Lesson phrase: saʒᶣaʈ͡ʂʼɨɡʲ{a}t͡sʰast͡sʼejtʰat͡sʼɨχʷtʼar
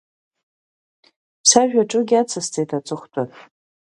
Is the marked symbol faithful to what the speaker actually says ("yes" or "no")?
yes